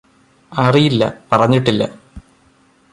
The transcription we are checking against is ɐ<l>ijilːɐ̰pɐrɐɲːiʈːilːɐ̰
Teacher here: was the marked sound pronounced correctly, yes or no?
no